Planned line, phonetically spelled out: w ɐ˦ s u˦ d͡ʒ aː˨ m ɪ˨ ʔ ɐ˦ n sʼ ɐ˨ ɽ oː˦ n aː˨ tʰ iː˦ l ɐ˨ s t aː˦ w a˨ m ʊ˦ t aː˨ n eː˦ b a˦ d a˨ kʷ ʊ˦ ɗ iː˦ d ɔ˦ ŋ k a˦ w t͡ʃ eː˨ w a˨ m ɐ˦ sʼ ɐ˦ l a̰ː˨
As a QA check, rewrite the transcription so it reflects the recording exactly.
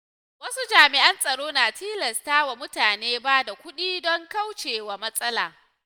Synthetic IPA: w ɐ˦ s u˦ d͡ʒ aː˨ m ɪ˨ ʔ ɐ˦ n sʼ ɐ˨ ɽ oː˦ n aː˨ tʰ iː˦ l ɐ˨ s t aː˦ w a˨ m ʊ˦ t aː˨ n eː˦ b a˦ d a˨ kʷ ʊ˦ ɗ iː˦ d ɔ˦ ŋ k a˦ w t͡ʃ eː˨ w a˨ m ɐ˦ sʼ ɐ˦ l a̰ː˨